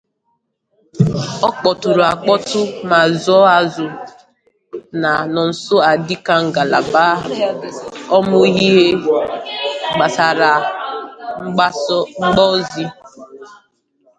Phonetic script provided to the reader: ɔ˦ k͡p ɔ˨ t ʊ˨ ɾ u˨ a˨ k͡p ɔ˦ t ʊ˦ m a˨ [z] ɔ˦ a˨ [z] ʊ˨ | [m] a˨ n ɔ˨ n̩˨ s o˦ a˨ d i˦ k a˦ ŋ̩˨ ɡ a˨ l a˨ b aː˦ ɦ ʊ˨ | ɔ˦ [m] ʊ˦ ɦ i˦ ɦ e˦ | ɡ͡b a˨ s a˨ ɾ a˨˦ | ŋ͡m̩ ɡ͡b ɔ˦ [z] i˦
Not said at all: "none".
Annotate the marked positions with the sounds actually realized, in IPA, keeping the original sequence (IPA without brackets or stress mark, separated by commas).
z, z, n, m, z